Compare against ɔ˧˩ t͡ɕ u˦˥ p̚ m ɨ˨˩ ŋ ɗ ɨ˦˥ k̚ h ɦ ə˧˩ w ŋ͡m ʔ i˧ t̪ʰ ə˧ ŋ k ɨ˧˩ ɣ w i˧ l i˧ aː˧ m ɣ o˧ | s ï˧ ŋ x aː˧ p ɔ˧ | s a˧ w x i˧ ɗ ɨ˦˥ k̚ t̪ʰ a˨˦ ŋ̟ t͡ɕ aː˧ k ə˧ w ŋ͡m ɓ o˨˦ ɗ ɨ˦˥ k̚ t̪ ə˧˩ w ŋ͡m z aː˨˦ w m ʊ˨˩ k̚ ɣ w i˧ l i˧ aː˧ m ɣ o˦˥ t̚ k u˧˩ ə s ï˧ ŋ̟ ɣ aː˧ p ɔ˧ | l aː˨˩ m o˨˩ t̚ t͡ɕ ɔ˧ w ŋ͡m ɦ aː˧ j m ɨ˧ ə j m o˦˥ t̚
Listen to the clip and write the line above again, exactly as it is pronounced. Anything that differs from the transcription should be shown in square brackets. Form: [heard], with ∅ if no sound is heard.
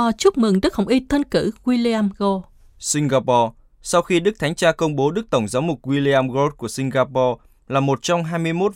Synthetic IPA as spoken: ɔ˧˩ t͡ɕ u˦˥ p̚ m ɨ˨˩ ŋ ɗ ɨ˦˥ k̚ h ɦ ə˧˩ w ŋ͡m ʔ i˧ t̪ʰ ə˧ [n] k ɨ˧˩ ɣ w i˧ l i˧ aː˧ m ɣ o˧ | s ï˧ ŋ [ɣ] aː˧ p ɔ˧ | s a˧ w x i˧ ɗ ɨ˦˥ k̚ t̪ʰ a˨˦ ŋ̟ t͡ɕ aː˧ k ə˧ w ŋ͡m ɓ o˨˦ ɗ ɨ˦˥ k̚ t̪ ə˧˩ w ŋ͡m z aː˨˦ w m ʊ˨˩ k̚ ɣ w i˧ l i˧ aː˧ m ɣ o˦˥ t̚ k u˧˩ ə s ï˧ ŋ̟ ɣ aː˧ p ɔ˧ | l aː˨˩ m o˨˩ t̚ t͡ɕ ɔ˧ w ŋ͡m ɦ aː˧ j m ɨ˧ ə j m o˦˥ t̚